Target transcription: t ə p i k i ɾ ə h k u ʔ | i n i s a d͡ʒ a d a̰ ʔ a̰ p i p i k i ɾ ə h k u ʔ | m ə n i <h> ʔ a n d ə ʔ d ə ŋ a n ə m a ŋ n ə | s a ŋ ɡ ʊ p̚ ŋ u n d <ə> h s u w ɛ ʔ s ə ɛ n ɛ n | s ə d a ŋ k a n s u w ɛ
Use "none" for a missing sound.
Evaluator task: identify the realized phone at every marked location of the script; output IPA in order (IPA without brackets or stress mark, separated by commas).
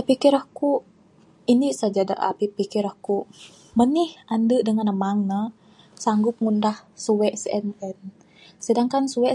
h, a